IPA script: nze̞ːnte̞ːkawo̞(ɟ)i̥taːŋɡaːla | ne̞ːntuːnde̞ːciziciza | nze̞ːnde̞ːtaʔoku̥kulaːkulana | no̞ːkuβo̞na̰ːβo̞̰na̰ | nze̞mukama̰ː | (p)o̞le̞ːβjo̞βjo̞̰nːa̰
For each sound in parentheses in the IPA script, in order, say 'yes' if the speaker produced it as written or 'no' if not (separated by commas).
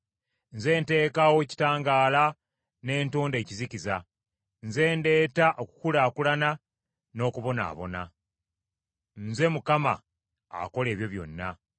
no, no